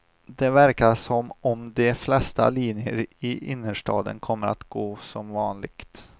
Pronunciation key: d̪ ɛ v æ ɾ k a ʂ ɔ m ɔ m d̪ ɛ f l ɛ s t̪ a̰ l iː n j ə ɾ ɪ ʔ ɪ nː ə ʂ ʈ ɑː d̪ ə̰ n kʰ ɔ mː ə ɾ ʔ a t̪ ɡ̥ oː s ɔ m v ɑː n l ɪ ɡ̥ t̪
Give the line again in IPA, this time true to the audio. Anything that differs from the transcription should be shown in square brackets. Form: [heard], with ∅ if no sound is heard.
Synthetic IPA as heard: d̪ ɛ v æ ɾ k a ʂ ɔ m ɔ m d̪ ɛ f l ɛ s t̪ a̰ l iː n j ə ɾ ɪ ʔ ɪ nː ə ʂ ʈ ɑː d̪ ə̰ n kʰ ɔ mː ə ɾ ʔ a t̪ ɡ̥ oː s ɔ m v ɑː n l ɪ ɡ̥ t̪

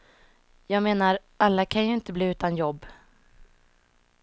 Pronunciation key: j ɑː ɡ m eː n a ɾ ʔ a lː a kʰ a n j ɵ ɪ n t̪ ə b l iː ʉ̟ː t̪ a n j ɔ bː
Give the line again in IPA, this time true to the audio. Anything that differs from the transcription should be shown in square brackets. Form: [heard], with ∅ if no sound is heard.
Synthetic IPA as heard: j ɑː ɡ m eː n a ɾ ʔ a lː a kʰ a n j ɵ ɪ n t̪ ə b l iː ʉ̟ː t̪ a n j ɔ bː

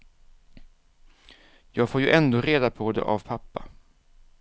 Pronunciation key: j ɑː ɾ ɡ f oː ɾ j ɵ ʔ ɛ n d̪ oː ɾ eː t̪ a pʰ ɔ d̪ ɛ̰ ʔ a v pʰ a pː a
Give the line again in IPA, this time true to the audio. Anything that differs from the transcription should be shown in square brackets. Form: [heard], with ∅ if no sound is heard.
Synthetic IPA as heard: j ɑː [∅] ɡ f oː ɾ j ɵ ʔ ɛ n d̪ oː ɾ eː [d̪] a pʰ ɔ d̪ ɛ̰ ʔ a v pʰ a pː a

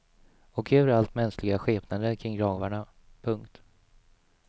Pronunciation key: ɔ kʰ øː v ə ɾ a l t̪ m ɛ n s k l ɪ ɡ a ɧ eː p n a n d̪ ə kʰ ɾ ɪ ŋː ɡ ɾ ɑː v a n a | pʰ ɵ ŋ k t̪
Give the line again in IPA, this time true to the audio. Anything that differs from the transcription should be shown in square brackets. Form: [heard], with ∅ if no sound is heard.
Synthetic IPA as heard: ɔ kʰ øː v ə ɾ a l t̪ m ɛ n s k l ɪ ɡ a ɧ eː p n a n d̪ ə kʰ ɾ ɪ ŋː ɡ ɾ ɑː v a [ɳ] a | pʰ ɵ ŋ k t̪

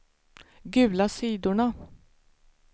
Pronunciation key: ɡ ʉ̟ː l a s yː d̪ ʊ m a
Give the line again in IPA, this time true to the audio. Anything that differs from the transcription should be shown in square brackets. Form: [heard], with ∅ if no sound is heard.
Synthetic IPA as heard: ɡ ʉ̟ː l a s [iː] d̪ ʊ [ɳ] a

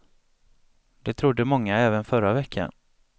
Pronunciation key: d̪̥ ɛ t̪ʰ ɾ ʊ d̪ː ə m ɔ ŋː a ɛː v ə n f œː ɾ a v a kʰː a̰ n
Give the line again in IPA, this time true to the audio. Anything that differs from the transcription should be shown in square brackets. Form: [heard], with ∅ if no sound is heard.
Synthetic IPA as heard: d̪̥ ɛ t̪ʰ ɾ ʊ d̪ː ə m ɔ ŋː a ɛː v ə n f [œ] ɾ a v [ɛ] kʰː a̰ n

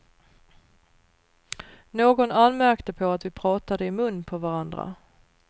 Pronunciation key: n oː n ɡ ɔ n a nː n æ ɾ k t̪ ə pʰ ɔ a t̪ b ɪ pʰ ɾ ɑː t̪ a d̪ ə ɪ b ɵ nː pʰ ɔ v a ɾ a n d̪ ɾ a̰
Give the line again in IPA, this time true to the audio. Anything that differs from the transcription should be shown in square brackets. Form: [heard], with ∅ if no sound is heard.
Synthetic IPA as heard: n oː [∅] ɡ ɔ n a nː [m] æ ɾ k t̪ ə pʰ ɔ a t̪ [v] ɪ pʰ ɾ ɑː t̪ a d̪ ə ɪ [m] ɵ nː pʰ ɔ v a ɾ a n d̪ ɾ a̰

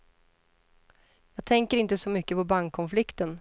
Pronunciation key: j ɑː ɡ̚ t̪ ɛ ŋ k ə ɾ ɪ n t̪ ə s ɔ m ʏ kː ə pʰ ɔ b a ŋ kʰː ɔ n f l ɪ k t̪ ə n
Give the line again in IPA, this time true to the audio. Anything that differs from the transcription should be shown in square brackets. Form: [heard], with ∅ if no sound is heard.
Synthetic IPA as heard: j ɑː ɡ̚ [t̪ʰ] ɛ ŋ k ə ɾ ɪ n t̪ ə s ɔ m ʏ kː ə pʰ ɔ b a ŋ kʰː ɔ n f l ɪ k t̪ ə n

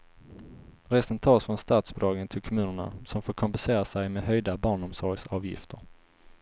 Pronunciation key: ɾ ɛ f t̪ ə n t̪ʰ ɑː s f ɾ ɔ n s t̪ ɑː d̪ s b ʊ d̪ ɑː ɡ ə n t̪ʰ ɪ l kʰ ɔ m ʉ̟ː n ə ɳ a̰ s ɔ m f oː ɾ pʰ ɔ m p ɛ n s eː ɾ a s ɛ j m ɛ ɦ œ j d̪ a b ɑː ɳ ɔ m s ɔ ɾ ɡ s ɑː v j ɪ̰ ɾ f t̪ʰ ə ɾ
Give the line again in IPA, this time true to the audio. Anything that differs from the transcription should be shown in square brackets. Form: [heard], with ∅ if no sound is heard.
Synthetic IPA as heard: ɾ ɛ [s] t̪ ə n t̪ʰ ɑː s f ɾ ɔ n s t̪ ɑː [t̪] s b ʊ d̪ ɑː ɡ ə n t̪ʰ ɪ l kʰ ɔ m ʉ̟ː n ə ɳ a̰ s ɔ m f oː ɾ [kʰ] ɔ m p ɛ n s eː ɾ a s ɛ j m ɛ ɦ œ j d̪ a b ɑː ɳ ɔ m s ɔ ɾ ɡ s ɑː v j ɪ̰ [∅] f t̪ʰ ə ɾ

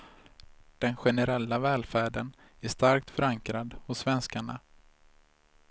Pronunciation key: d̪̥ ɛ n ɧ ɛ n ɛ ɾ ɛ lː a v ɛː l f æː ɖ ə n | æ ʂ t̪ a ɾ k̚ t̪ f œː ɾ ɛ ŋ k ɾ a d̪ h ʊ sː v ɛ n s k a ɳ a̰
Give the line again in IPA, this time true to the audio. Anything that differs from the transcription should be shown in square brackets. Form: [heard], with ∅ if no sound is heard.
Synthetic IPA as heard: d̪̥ ɛ n ɧ ɛ n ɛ ɾ ɛ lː a v ɛː l f æː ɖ ə n | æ ʂ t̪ a ɾ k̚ t̪ f [œ] ɾ [a] ŋ k ɾ a d̪ h ʊ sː v ɛ n s k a ɳ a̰

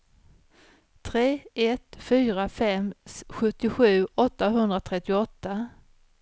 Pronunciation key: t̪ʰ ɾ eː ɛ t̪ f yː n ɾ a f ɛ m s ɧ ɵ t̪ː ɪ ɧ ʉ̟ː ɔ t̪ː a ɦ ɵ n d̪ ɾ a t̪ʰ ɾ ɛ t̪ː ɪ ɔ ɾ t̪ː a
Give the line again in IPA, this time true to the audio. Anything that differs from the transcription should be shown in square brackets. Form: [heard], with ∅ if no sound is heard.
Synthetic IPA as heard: t̪ʰ ɾ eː ɛ t̪ f yː [∅] ɾ a f ɛ m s ɧ ɵ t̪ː ɪ ɧ ʉ̟ː ɔ t̪ː a ɦ ɵ n d̪ ɾ a t̪ʰ ɾ ɛ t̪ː ɪ ɔ [∅] t̪ː a

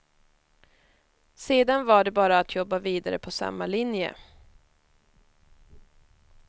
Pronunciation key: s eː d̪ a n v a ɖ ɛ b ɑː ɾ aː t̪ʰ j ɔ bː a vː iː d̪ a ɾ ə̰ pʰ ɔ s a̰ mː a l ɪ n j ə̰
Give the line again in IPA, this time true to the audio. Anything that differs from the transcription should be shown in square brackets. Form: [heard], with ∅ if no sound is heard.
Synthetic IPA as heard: s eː d̪ a n v a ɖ ɛ b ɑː ɾ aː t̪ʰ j ɔ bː a [v] iː d̪ a ɾ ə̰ pʰ ɔ s a̰ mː a l ɪ n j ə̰

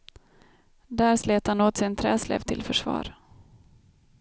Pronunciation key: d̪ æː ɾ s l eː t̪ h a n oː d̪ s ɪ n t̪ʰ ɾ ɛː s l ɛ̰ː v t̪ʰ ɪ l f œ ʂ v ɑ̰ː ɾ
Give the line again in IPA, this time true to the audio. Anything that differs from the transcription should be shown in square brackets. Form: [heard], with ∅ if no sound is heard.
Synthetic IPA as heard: d̪ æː ɾ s l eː t̪ h a n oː [t̪] s ɪ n t̪ʰ ɾ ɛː s l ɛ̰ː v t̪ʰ ɪ l f œ ʂ v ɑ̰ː ɾ

